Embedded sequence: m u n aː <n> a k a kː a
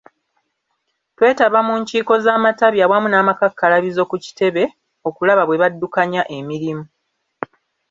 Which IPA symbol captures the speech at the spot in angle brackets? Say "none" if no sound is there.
m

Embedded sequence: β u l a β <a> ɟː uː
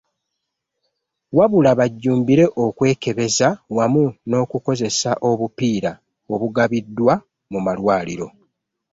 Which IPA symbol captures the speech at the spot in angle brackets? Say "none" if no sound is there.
a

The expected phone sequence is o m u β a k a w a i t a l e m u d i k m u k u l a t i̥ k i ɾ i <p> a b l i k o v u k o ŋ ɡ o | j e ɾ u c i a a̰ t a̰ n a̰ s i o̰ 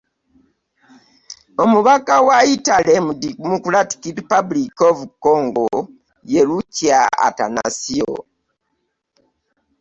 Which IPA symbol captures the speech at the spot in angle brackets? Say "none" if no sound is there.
p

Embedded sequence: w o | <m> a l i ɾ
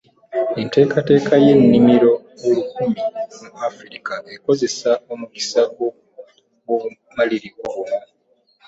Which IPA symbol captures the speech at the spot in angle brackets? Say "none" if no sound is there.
m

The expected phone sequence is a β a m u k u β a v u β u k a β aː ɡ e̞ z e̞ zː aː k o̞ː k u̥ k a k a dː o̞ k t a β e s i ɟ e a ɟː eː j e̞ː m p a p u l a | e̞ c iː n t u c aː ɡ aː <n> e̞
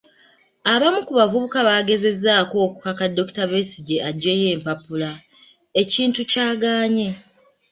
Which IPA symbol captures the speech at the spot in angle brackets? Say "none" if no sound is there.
ɲ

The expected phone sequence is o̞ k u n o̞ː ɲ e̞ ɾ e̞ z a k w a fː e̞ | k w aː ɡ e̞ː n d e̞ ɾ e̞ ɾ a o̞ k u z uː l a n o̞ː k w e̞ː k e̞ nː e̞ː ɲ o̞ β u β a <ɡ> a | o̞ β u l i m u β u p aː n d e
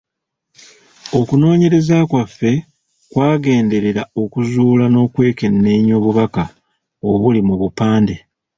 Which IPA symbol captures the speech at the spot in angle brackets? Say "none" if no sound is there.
k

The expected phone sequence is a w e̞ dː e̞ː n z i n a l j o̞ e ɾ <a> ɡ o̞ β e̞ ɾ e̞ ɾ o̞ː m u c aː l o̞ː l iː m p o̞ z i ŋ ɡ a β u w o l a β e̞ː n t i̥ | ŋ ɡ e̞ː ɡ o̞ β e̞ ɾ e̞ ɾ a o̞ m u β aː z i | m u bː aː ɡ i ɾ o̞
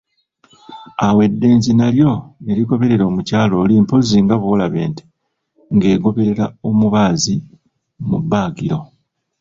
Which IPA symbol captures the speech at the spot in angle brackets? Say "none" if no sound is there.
i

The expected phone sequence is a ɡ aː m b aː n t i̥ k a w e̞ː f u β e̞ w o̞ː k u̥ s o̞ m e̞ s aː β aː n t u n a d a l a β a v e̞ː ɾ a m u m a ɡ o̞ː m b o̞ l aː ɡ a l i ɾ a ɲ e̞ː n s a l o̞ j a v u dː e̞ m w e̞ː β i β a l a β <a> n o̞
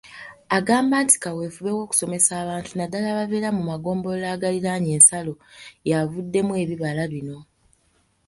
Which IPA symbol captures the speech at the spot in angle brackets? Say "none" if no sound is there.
i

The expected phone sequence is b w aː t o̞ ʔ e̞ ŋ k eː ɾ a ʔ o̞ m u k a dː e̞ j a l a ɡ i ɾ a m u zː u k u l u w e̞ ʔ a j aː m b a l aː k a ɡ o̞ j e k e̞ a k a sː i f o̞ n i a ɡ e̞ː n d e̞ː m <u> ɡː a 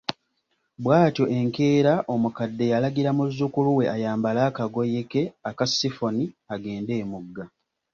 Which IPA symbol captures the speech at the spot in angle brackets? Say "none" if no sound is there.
u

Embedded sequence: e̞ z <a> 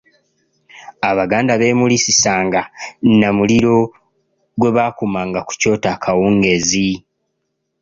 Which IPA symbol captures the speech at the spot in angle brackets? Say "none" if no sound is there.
i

